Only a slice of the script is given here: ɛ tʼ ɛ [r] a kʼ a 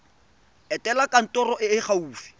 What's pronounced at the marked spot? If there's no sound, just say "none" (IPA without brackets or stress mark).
l